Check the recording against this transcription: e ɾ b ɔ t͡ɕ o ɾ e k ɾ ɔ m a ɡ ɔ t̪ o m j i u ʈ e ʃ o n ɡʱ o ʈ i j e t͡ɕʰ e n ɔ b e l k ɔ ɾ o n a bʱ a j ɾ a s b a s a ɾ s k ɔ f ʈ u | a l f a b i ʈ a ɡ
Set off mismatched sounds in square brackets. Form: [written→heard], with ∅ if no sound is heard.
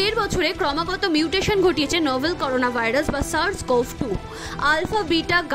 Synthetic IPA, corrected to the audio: e ɾ b ɔ [t͡ɕ→t͡ɕʰ] o ɾ e k ɾ ɔ m a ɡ ɔ t̪ o m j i u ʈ e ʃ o n ɡʱ o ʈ i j e t͡ɕʰ e n ɔ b e l k ɔ ɾ o n a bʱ a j ɾ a s b a s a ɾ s k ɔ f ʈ u | a l f a b i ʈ a ɡ